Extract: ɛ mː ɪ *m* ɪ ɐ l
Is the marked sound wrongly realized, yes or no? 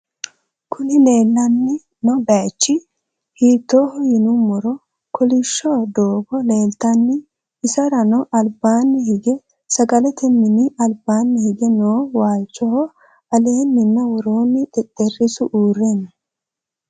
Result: yes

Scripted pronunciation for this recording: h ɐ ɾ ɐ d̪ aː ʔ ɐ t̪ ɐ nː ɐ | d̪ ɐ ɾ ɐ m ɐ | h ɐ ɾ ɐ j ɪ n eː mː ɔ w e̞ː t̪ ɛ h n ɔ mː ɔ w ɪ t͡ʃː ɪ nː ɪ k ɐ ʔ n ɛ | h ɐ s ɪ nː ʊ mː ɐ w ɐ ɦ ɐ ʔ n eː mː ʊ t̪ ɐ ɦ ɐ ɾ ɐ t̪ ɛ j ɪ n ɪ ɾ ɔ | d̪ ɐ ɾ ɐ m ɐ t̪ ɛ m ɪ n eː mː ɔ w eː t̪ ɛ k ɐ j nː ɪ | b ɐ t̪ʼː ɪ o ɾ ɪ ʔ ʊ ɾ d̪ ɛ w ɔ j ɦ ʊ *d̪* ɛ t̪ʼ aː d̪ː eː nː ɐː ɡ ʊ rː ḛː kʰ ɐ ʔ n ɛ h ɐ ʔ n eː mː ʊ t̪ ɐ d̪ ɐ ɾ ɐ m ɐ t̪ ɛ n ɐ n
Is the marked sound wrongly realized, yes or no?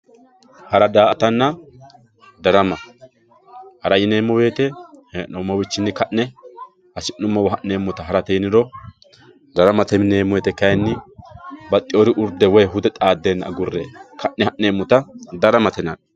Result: no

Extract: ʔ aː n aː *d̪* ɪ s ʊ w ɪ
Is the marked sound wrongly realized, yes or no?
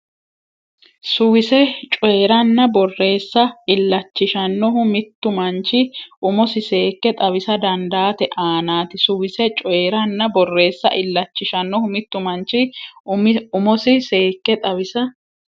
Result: yes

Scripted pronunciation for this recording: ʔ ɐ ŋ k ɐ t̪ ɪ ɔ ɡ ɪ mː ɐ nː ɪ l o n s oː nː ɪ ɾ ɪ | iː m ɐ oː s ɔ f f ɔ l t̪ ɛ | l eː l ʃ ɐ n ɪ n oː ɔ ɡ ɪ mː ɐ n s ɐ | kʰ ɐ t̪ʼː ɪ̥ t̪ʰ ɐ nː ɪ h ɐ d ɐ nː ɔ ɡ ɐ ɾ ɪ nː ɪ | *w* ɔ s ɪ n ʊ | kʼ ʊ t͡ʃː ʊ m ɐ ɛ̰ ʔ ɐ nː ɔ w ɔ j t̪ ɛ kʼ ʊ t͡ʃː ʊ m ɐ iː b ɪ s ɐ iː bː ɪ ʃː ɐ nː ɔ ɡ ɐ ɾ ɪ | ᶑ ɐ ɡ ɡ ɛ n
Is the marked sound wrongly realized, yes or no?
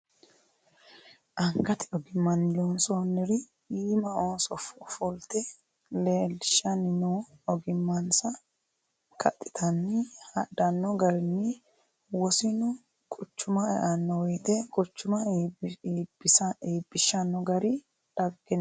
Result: no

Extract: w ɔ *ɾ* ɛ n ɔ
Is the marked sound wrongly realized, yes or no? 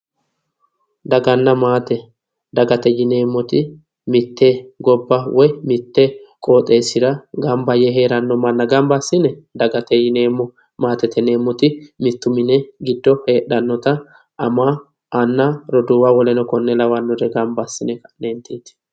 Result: yes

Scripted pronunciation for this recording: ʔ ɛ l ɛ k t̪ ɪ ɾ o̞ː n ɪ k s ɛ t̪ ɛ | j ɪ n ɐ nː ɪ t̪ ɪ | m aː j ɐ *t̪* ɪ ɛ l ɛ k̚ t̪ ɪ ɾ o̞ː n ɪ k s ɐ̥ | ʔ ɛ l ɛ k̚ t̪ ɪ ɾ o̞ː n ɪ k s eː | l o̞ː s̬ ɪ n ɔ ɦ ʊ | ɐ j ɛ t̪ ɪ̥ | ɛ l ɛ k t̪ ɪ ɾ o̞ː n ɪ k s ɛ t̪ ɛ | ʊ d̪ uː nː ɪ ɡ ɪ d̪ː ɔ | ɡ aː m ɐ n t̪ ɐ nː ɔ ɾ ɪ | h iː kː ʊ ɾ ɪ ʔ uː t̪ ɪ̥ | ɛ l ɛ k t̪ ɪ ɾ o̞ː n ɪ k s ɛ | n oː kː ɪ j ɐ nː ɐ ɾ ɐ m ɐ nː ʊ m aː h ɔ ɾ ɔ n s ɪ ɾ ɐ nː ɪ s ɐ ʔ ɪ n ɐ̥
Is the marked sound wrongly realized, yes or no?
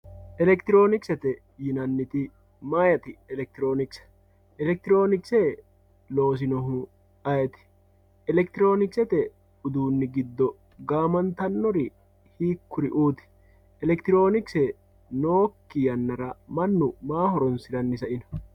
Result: no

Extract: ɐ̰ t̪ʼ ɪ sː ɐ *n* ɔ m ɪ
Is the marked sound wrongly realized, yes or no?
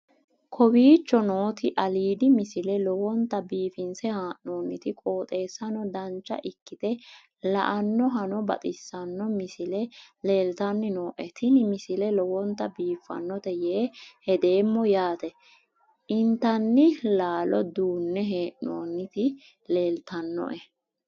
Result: yes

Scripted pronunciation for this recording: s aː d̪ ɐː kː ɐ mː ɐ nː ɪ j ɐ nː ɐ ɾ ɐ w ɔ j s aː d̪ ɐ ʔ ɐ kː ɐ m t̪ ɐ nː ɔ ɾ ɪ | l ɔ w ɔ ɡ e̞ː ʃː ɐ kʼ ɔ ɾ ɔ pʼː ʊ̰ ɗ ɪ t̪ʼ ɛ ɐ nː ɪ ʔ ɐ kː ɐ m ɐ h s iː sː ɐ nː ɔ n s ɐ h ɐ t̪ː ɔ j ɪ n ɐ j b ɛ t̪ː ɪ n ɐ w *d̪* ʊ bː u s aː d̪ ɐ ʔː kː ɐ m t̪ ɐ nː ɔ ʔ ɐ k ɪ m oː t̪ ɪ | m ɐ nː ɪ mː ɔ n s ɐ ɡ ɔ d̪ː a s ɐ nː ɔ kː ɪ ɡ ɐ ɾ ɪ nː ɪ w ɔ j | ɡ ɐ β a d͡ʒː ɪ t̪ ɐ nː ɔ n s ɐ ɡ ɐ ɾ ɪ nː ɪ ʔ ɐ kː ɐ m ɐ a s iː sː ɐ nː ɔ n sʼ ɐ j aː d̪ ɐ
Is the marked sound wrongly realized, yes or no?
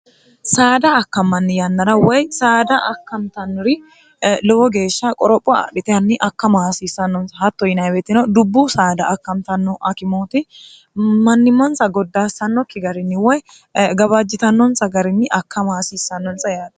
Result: no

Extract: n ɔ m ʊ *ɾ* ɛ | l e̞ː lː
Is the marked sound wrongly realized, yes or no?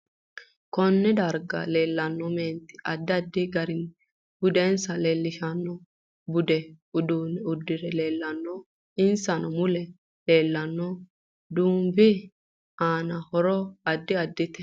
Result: yes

